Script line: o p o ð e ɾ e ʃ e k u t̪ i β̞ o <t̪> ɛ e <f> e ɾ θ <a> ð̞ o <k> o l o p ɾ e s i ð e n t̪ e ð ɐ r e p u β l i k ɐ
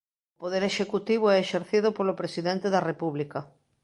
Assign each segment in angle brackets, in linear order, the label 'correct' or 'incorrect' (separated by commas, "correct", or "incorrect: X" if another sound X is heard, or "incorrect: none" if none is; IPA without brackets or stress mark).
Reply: incorrect: none, incorrect: ʃ, incorrect: i, incorrect: p